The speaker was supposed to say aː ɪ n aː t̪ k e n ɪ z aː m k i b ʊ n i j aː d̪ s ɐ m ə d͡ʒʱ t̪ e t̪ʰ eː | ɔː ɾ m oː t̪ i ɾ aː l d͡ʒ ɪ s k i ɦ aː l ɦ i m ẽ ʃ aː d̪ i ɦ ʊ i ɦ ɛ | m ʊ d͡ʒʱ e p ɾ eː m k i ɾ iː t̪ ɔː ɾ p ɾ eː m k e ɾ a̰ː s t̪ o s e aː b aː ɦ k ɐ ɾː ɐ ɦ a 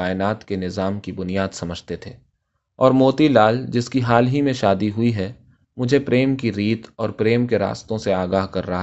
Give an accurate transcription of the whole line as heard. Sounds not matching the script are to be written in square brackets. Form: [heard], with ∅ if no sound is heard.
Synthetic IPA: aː ɪ n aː t̪ k e n ɪ z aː m k i b ʊ n i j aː d̪ s ɐ m ə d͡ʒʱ t̪ e t̪ʰ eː | ɔː ɾ m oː t̪ i [l] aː l d͡ʒ ɪ s k i ɦ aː l ɦ i m ẽ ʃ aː d̪ i ɦ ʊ i ɦ ɛ | m ʊ d͡ʒʱ e p ɾ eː m k i ɾ iː t̪ ɔː ɾ p ɾ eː m k e ɾ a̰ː s t̪ [õ] s e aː [ɡ] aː ɦ k ɐ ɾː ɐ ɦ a